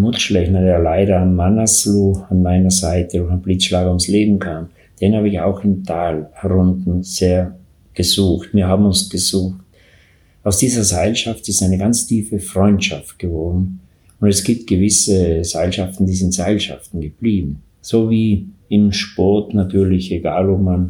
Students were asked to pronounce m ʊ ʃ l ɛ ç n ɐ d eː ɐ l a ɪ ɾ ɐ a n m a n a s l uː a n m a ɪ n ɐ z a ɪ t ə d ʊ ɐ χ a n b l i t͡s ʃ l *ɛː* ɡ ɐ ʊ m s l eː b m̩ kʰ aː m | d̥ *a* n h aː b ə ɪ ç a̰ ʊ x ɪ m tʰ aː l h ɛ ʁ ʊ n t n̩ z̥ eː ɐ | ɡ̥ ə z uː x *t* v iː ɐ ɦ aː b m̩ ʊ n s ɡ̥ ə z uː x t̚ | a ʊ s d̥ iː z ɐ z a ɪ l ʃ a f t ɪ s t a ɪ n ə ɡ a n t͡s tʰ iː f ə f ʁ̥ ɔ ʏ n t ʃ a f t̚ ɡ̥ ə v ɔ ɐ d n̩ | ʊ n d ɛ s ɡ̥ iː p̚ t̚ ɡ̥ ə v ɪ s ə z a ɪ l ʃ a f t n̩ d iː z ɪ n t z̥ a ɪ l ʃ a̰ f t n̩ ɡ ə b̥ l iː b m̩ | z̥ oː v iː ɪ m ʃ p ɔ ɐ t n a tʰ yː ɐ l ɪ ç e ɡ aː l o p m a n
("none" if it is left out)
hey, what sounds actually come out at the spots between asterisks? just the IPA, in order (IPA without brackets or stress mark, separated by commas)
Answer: aː, e, t